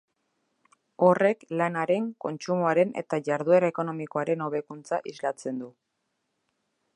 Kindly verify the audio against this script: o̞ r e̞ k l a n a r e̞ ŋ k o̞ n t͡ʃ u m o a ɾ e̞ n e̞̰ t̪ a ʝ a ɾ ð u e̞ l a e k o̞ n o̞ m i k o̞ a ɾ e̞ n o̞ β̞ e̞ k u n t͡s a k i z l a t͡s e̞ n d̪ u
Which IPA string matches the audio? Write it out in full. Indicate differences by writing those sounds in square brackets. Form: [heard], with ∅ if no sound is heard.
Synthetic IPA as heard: o̞ r e̞ k l a n a [ɾ] e̞ ŋ k o̞ n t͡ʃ u m o a ɾ e̞ n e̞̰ t̪ a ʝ a ɾ ð u e̞ [ɾ] a e k o̞ n o̞ m i k o̞ a ɾ e̞ n o̞ β̞ e̞ k u n t͡s a [ʔ] i z l a t͡s e̞ n d̪ u